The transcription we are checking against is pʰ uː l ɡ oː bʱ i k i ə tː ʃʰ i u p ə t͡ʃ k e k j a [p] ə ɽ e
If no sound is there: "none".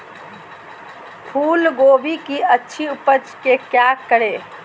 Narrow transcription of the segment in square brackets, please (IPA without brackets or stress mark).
k